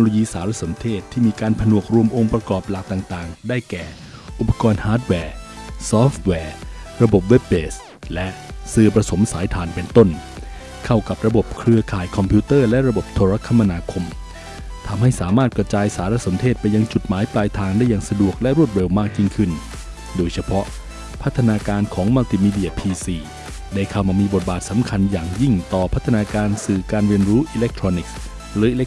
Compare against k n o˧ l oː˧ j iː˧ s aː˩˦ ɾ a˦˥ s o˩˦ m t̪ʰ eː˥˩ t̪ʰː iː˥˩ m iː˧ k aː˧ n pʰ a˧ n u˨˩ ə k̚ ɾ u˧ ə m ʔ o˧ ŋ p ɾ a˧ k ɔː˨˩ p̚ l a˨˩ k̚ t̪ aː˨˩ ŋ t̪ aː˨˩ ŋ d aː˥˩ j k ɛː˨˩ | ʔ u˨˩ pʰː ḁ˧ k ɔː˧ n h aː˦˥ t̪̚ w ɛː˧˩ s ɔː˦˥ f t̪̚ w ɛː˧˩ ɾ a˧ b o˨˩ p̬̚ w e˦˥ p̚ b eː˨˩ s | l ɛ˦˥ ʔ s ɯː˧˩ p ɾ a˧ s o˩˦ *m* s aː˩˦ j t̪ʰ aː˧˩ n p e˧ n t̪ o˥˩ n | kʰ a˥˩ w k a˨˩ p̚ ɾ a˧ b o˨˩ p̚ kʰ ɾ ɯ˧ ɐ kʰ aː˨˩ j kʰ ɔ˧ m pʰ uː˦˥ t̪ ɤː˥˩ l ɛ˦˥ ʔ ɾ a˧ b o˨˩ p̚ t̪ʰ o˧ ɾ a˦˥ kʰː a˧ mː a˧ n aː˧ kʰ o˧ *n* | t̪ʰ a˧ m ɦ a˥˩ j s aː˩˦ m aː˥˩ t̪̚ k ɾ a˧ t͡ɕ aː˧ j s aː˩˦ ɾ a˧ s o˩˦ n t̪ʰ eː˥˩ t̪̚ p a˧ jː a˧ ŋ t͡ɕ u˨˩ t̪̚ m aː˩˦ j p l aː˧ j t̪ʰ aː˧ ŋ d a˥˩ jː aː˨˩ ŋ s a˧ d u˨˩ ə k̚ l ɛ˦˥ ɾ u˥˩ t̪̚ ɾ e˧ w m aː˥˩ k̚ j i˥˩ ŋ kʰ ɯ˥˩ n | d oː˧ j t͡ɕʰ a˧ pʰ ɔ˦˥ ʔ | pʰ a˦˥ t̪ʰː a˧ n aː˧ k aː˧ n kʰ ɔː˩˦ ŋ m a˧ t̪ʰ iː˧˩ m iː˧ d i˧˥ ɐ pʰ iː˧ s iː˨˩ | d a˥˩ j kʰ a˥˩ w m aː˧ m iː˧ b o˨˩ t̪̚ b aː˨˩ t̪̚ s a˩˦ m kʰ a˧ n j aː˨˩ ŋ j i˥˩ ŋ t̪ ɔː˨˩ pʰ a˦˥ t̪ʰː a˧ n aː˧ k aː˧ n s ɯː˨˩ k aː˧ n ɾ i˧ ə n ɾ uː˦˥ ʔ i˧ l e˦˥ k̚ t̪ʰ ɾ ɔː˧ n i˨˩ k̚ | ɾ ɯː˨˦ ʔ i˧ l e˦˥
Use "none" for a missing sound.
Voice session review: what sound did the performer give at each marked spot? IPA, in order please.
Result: m, m

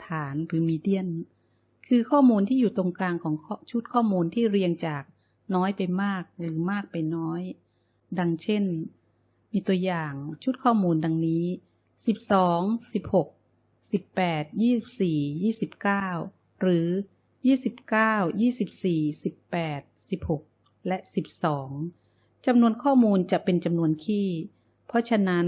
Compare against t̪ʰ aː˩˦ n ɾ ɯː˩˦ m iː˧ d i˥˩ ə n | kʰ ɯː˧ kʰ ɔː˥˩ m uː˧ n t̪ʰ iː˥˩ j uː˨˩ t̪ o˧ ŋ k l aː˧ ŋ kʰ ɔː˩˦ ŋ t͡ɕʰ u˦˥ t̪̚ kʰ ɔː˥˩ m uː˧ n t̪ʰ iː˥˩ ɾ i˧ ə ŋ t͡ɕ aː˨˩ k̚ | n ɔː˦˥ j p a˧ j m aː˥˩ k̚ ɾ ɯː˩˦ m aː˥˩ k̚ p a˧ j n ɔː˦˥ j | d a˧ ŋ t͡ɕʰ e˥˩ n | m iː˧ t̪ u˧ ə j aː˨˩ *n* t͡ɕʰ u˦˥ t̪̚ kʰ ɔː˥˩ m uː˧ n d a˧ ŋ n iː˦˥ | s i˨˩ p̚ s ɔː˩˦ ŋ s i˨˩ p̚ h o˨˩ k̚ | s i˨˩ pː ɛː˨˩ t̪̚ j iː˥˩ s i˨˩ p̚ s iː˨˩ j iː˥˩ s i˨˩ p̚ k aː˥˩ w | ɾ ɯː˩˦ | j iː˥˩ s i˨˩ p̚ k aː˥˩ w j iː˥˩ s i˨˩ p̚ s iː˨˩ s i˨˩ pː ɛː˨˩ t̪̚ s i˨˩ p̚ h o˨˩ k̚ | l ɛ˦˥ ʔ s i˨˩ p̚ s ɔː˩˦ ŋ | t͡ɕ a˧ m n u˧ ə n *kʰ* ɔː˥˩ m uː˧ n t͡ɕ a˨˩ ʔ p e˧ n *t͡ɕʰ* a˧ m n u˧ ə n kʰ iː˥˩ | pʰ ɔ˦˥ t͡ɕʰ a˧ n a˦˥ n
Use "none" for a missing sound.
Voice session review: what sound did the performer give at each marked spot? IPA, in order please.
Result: ŋ, kʰ, t͡ɕ

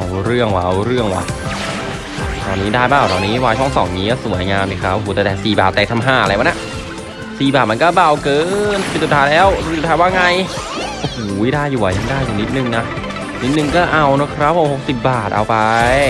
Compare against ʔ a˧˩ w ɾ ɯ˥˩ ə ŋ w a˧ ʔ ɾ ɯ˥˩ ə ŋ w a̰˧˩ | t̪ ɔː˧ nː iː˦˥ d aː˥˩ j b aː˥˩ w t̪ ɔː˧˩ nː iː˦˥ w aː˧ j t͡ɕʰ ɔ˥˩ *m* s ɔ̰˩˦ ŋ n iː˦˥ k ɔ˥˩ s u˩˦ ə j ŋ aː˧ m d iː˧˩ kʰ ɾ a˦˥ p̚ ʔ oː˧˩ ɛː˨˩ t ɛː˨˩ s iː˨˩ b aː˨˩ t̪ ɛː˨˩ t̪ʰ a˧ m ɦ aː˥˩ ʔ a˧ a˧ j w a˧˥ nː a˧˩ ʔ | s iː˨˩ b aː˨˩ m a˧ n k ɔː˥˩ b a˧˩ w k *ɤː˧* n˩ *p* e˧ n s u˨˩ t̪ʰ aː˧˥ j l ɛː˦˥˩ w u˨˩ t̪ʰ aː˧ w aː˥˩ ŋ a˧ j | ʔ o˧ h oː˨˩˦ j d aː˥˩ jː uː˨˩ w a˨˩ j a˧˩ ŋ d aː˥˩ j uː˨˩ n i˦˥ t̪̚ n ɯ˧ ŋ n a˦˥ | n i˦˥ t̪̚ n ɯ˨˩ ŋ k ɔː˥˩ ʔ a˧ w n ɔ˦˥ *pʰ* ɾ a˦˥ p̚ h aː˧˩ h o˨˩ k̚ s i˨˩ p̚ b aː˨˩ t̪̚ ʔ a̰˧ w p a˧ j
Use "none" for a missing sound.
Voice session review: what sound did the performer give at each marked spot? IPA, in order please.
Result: ŋ, ɤː˧, p, kʰ

